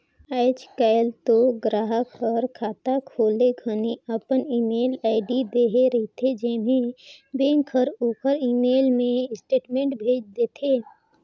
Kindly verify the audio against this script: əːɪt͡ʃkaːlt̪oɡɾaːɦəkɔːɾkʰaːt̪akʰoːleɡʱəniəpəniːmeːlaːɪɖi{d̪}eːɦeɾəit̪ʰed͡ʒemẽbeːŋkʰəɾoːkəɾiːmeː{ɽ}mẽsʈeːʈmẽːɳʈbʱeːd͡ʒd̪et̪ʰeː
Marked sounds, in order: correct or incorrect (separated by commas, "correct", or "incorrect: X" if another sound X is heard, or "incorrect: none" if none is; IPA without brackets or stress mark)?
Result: correct, incorrect: l